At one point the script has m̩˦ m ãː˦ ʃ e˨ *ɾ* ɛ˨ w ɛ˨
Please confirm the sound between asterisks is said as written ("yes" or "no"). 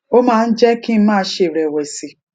yes